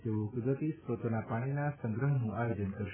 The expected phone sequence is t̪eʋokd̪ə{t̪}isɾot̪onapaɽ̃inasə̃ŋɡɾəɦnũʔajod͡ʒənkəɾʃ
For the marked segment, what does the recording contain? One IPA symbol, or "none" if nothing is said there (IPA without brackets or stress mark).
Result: t̪